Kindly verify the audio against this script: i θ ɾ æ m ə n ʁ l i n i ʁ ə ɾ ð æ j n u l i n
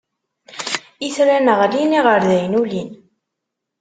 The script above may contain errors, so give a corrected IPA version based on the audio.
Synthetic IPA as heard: i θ ɾ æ n ə ʁ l i n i ʁ ə ɾ ð æ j n u l i n